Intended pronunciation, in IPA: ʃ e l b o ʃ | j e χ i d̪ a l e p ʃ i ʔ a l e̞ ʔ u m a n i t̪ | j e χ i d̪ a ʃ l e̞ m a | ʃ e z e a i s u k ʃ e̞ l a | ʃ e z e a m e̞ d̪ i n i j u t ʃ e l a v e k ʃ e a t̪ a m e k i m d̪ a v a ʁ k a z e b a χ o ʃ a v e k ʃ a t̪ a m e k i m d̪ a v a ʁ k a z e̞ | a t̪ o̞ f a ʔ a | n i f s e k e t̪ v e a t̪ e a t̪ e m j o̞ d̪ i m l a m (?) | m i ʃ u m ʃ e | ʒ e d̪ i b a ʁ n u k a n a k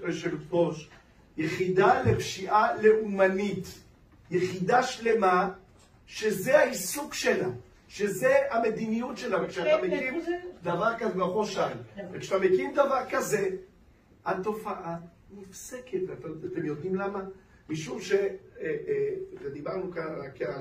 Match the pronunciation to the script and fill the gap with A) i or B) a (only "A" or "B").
B